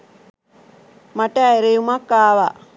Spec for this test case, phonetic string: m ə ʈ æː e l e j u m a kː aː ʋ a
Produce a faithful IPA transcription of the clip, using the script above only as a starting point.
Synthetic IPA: m a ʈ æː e ɾ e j u m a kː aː ʋ a